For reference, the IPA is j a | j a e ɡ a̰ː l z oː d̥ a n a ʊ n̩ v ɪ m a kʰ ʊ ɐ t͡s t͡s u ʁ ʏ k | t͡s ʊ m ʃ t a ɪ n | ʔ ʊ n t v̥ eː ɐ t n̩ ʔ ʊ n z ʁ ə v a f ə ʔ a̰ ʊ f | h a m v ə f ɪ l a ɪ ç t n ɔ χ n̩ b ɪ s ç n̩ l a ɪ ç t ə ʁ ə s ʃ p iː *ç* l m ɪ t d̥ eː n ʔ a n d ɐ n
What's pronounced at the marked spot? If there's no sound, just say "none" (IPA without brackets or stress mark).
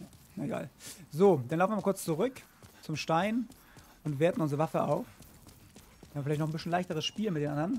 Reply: none